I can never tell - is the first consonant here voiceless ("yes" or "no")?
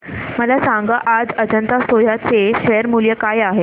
no